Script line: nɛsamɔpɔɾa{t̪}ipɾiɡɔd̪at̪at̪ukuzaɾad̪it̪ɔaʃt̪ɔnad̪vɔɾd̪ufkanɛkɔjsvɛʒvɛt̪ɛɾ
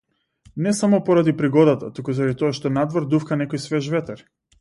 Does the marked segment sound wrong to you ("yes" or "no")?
yes